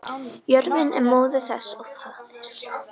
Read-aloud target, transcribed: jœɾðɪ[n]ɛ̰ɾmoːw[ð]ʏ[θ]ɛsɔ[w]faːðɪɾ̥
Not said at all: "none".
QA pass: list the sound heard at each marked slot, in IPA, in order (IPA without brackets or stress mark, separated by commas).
n, ð, θ, ɣ